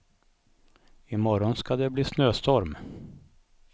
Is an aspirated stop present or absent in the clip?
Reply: absent